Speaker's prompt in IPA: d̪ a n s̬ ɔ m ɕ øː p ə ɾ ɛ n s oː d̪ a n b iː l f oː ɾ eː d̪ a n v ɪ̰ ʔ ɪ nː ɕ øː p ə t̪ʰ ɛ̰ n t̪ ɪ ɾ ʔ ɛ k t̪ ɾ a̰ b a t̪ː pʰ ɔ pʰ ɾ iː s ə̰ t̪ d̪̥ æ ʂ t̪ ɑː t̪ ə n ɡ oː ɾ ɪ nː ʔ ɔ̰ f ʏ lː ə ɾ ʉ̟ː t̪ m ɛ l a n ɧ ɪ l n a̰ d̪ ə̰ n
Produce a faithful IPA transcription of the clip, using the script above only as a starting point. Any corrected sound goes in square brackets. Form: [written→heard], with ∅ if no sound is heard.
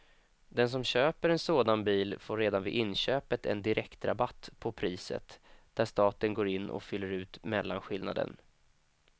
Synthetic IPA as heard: d̪ [a→ɛ] n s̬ ɔ m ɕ øː p ə ɾ ɛ n s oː d̪ a n b iː l f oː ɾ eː d̪ a n v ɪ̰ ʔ ɪ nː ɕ øː p ə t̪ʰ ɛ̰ n [t̪→d̪] ɪ ɾ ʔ ɛ k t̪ ɾ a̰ b a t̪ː pʰ ɔ pʰ ɾ iː s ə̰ t̪ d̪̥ æ ʂ t̪ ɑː t̪ ə n ɡ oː ɾ ɪ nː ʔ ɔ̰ f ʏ lː ə ɾ ʉ̟ː t̪ m ɛ [l→lː] a n ɧ ɪ l n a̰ d̪ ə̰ n